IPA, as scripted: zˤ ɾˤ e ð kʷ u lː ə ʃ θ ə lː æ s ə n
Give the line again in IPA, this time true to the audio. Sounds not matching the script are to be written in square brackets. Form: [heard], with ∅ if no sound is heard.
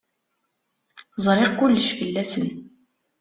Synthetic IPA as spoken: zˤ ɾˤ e [ʁ] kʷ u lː ə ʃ [f] ə lː æ s ə n

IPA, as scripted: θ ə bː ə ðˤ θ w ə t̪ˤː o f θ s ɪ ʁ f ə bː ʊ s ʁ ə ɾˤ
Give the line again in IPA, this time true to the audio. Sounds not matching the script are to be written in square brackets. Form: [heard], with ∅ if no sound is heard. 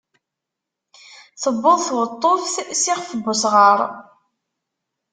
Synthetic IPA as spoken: θ ə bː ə ðˤ θ w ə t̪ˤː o f θ s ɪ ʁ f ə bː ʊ s ʁ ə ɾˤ

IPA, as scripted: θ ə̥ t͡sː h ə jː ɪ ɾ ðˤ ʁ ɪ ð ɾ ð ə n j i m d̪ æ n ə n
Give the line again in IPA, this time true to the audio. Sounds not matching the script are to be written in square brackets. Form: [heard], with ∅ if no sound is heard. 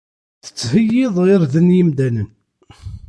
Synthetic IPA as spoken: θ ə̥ t͡sː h ə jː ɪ [∅] ðˤ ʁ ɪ [∅] ɾ ð ə n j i m d̪ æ n ə n

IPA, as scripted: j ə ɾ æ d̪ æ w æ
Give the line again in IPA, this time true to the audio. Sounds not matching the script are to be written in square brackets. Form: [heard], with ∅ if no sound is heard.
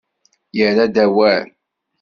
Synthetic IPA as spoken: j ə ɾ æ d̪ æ w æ

